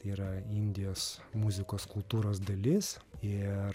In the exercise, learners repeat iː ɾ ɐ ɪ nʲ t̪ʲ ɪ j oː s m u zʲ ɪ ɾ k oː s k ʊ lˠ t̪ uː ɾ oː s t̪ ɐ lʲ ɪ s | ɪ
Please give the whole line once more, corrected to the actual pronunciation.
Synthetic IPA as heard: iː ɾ ɐ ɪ nʲ d̪ʲ ɪ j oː s m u zʲ ɪ k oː s k ʊ lˠ t̪ uː ɾ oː s d̪ ɐ lʲ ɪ s | ɪ